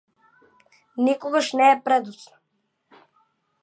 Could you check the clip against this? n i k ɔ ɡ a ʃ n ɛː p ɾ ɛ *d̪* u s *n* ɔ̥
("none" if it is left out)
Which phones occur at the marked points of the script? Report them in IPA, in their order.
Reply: d̪, n

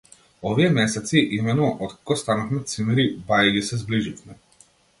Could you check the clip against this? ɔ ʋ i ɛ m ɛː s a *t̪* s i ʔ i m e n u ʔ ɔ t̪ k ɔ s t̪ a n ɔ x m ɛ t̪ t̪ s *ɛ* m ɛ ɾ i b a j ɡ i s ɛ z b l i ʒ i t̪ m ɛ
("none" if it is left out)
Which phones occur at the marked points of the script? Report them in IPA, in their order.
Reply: t̪, i

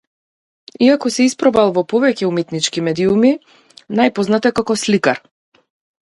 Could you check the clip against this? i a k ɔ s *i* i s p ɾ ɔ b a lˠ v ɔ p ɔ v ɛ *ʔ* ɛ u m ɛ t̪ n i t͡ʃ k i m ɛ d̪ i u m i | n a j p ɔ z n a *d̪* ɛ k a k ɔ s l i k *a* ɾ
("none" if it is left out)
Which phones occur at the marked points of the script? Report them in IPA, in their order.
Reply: ɛ, c, t̪, a

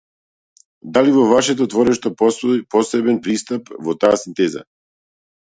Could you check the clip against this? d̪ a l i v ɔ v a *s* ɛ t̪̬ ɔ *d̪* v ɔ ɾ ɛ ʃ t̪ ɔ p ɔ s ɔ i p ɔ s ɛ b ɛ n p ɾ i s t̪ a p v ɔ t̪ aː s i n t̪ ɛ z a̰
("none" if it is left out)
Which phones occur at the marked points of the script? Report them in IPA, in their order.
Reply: ʃ, t̪

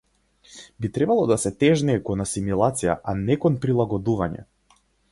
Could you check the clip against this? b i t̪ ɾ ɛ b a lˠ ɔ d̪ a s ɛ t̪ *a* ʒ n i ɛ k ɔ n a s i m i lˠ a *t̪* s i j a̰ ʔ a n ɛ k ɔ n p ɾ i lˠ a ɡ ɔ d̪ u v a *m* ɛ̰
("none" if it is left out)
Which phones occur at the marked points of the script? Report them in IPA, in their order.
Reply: ɛ, t̪, ɲ

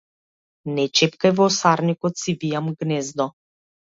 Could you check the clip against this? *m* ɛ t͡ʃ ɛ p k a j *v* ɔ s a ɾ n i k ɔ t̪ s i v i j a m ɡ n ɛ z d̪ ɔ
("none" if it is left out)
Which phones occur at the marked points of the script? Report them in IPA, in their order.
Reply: n, v

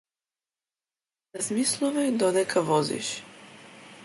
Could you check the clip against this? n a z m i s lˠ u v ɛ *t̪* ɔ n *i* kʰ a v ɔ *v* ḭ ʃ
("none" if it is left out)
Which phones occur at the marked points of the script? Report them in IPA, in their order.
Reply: d̪, ɛ, z

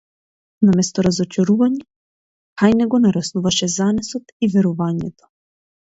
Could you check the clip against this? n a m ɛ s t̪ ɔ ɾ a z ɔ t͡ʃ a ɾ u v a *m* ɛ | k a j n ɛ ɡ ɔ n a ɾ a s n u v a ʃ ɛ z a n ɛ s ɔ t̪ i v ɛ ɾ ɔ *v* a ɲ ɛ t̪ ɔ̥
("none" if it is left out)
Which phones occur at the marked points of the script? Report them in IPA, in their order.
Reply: ɲ, v

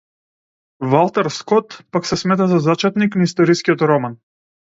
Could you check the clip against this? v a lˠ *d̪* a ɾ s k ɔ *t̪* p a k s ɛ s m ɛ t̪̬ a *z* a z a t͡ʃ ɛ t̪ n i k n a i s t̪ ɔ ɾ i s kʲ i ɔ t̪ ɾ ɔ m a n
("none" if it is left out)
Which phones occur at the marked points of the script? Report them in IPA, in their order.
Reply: t̪, t̪, z

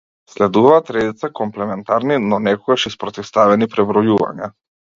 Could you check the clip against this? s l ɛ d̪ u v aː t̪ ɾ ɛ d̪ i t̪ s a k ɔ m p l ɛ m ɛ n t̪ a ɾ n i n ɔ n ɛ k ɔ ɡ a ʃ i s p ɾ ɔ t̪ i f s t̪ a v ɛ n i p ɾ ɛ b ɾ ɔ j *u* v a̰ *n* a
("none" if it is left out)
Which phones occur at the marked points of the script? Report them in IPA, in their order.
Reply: u, ɲ

